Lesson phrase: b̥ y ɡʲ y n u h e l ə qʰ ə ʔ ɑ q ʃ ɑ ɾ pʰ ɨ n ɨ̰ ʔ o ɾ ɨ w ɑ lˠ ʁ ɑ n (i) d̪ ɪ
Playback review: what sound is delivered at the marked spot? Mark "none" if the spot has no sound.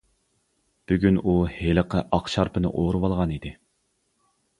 i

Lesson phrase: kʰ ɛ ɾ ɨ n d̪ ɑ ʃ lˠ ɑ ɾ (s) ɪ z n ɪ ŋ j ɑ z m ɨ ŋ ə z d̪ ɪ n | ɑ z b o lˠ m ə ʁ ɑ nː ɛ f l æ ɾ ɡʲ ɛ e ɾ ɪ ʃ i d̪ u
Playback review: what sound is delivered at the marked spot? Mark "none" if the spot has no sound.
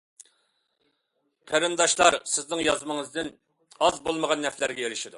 s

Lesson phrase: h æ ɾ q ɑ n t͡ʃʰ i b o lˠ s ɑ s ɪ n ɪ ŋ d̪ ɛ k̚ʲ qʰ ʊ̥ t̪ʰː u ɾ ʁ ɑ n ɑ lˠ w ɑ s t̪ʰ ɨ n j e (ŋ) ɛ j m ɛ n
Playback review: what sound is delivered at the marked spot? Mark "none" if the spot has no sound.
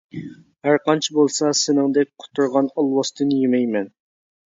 m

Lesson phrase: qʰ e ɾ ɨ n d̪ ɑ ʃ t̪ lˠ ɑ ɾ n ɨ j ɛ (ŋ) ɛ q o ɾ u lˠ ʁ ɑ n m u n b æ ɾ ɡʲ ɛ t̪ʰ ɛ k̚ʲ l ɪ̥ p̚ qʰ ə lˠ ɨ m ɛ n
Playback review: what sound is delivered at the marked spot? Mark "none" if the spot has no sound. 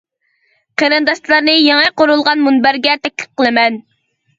ŋ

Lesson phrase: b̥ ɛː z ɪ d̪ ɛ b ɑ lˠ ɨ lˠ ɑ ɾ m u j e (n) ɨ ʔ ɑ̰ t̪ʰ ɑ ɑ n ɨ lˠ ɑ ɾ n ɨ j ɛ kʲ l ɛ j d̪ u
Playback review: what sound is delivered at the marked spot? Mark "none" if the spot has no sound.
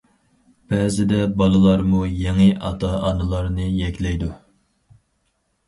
ŋ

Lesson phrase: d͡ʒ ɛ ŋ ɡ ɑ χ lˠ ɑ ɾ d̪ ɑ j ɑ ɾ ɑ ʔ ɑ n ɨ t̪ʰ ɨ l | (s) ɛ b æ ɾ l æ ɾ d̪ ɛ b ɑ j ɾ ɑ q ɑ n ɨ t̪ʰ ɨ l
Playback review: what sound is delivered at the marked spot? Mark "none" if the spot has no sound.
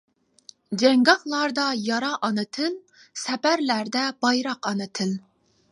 s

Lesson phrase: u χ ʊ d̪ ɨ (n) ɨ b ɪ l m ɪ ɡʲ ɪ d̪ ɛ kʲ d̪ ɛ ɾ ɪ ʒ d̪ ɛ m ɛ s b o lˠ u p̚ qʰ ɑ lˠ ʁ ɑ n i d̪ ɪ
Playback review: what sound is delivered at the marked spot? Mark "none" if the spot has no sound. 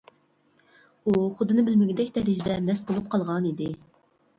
n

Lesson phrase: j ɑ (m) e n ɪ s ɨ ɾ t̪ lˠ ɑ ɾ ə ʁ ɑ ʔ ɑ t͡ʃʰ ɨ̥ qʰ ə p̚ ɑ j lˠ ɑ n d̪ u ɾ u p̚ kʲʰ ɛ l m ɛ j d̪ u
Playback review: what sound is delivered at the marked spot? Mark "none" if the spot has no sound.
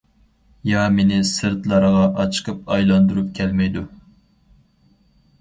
m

